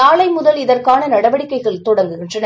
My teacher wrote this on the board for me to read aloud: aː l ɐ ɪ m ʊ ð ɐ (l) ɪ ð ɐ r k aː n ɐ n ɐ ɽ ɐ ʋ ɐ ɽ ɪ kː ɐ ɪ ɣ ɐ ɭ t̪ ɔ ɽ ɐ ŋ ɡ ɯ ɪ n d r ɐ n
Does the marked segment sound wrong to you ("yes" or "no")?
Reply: no